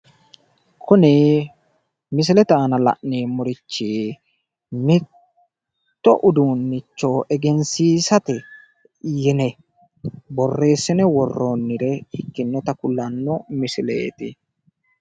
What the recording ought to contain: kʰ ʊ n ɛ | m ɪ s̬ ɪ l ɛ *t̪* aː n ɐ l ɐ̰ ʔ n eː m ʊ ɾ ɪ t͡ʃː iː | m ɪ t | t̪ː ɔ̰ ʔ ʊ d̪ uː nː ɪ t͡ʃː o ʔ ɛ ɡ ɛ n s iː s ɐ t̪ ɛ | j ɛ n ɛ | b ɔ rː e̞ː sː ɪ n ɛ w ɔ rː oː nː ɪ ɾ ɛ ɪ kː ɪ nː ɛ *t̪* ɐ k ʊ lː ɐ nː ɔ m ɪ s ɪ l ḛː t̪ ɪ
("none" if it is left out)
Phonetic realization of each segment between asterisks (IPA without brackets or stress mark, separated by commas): t̪, t̪